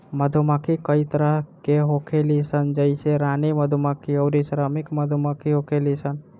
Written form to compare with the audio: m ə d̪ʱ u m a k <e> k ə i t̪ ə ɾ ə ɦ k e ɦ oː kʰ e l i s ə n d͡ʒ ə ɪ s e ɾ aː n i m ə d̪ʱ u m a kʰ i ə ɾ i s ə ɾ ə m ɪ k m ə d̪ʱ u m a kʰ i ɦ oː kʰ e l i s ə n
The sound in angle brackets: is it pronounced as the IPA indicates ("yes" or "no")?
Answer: no